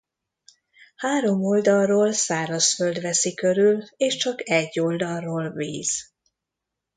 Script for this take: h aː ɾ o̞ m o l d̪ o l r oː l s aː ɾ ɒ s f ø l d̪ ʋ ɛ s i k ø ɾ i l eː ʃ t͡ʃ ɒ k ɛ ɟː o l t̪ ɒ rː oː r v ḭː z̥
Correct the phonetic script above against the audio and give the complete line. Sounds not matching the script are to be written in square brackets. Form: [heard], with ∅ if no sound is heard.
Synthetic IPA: h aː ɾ o̞ m o l d̪ [ɒ] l r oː l s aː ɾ ɒ s f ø l d̪ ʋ ɛ s i k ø ɾ [y] l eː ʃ t͡ʃ ɒ k ɛ ɟː o l [d̪] ɒ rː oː [l] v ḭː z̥